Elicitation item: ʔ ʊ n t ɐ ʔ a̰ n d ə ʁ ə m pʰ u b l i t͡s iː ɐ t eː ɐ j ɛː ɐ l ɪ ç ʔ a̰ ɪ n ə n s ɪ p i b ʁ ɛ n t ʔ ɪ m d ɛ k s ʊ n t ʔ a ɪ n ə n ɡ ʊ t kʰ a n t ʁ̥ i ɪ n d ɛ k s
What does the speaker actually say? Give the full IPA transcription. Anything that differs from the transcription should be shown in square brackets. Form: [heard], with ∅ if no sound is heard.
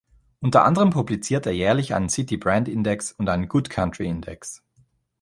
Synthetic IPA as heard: ʔ ʊ n t ɐ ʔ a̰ n d ə ʁ ə m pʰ u b l i t͡s iː ɐ t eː ɐ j ɛː ɐ l ɪ ç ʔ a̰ ɪ n ə n s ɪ [t] i b ʁ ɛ n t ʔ ɪ [n] d ɛ k s ʊ n t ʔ a ɪ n ə n ɡ ʊ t kʰ a n t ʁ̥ i ɪ n d ɛ k s